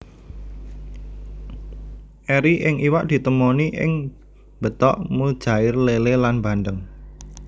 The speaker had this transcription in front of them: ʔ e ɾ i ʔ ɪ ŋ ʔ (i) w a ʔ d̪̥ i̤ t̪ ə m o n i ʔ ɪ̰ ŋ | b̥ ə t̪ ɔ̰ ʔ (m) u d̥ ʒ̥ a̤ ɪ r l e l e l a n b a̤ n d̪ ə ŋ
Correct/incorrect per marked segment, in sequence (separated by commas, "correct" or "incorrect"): correct, correct